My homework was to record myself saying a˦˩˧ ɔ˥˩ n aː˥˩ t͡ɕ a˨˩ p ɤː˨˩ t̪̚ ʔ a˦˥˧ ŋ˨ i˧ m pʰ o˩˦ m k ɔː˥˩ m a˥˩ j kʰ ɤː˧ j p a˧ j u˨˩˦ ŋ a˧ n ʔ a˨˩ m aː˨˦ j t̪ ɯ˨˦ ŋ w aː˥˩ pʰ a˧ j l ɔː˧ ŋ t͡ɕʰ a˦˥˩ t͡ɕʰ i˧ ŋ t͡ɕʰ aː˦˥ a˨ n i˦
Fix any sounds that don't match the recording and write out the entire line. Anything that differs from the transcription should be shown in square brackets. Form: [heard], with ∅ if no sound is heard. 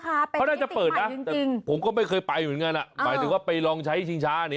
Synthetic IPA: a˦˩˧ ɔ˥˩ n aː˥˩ t͡ɕ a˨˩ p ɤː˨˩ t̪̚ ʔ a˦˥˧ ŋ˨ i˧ [ŋ] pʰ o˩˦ m k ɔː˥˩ m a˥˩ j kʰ ɤː˧ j p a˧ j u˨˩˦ ŋ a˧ n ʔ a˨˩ m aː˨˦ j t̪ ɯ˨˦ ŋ w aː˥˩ [p] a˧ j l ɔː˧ ŋ t͡ɕʰ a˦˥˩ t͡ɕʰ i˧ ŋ t͡ɕʰ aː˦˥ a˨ n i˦